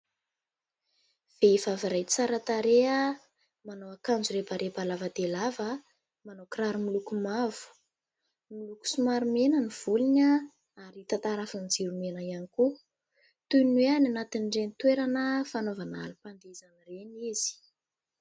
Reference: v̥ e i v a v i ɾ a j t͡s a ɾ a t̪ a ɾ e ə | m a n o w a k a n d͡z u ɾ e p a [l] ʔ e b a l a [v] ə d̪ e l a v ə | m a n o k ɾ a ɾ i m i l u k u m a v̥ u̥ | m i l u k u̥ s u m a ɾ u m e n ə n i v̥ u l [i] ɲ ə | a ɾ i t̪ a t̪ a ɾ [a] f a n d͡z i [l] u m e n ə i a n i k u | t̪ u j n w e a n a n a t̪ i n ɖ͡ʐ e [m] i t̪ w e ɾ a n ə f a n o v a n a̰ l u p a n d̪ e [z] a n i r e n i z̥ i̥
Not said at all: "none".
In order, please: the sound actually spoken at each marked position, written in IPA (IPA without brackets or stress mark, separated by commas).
ɾ, v, i, a, ɾ, n, z